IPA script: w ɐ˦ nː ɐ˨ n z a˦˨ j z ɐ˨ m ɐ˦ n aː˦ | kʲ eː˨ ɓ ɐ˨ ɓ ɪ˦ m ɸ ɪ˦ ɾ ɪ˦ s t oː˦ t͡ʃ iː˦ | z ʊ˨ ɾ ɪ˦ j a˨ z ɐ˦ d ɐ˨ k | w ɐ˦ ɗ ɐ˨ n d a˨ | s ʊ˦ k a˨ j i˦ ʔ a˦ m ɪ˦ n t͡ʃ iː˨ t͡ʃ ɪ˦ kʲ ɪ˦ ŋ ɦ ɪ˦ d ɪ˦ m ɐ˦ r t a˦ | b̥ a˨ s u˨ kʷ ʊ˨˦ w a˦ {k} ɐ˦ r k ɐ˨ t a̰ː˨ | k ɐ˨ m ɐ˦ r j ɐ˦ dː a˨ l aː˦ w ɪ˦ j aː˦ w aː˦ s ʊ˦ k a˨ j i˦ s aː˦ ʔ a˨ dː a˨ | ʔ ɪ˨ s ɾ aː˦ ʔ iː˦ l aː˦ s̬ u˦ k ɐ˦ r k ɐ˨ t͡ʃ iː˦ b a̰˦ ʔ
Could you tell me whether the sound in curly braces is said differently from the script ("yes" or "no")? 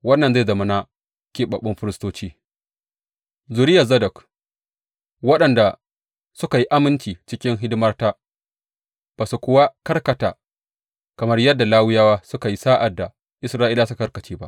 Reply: no